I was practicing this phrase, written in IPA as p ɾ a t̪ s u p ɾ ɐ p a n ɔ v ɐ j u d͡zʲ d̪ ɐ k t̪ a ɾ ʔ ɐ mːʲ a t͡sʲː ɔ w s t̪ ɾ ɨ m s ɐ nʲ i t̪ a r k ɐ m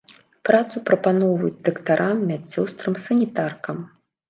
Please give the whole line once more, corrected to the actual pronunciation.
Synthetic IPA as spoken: p ɾ a t̪ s u p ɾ ɐ p a n ɔ v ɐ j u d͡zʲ d̪ ɐ k t̪ a ɾ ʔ a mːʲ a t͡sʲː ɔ w s t̪ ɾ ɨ m s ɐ nʲ i t̪ a r k ɐ m